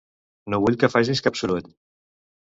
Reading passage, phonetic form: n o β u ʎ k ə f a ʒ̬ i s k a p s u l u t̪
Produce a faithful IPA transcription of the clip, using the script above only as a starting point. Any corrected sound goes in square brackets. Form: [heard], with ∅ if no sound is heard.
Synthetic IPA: n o β u ʎ k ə f a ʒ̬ i s k a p s u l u t̪